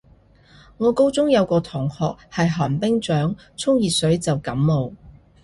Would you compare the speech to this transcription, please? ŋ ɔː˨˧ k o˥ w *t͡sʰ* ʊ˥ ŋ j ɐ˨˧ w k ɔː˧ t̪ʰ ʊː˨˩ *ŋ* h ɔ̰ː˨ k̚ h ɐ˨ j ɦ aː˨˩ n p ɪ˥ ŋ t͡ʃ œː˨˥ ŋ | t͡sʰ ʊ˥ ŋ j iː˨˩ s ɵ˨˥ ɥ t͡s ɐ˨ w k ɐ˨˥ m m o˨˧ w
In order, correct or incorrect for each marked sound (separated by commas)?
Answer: incorrect, correct